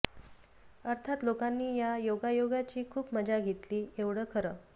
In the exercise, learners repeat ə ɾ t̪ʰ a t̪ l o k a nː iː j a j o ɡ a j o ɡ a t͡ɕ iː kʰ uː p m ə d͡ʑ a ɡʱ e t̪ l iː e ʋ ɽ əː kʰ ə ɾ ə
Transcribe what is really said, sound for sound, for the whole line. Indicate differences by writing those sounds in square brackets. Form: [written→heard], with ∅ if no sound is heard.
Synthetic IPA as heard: ə ɾ t̪ʰ a t̪ l o k a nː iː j a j o ɡ a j o ɡ a t͡ɕ iː kʰ uː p m ə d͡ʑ a ɡʱ e t̪ l iː e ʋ ɽ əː kʰ ə ɾ ə